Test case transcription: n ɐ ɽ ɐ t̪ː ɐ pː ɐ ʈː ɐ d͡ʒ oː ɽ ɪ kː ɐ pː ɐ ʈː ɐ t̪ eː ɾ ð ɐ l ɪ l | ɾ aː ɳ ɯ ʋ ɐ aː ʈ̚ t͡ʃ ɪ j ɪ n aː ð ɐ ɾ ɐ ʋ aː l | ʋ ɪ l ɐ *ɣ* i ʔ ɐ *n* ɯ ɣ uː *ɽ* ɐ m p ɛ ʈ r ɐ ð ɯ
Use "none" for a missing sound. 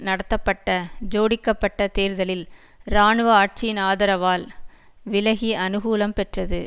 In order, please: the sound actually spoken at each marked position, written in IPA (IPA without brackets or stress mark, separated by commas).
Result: ɣ, n, l